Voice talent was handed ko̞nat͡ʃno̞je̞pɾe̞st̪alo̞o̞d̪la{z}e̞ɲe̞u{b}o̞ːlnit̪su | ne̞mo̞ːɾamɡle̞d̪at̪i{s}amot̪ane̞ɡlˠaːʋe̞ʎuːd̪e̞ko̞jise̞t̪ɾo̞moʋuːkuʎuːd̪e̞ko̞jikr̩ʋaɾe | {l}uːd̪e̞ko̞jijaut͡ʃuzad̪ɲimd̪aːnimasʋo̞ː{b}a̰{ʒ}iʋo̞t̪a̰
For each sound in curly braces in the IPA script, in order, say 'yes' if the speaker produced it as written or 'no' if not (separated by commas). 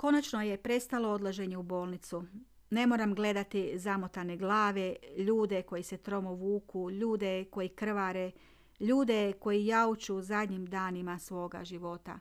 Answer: no, yes, no, no, no, yes